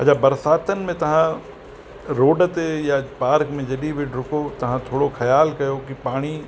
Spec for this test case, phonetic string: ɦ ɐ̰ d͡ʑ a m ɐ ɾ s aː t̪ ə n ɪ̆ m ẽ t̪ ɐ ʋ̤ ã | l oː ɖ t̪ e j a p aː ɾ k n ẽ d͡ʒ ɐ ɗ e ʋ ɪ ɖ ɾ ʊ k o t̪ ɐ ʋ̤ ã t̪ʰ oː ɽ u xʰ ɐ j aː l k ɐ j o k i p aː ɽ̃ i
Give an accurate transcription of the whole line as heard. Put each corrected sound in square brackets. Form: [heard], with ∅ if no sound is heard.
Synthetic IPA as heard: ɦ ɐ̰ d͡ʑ a [b] ɐ ɾ s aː t̪ ə n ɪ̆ m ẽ t̪ ɐ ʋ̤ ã | [ɾ] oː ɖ t̪ e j a p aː ɾ k [m] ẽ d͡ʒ ɐ ɗ [i] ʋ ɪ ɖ ɾ ʊ k o t̪ ɐ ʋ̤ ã t̪ʰ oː ɽ [o] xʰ ɐ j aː l k ɐ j o k i p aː ɽ̃ i